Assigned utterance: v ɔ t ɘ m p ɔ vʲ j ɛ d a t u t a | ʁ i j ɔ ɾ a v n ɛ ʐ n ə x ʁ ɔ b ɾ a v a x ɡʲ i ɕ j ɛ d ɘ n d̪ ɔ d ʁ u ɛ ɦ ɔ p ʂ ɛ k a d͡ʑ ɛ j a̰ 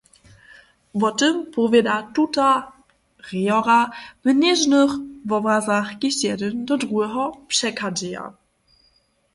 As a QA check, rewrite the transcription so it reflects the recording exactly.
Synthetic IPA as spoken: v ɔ t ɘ m p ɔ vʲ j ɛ d a t u t a | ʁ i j ɔ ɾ a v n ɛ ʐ n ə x v ɔ b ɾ a z a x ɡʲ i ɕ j ɛ d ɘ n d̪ ɔ d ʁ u ɛ ɦ ɔ p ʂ ɛ k a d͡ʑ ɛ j a̰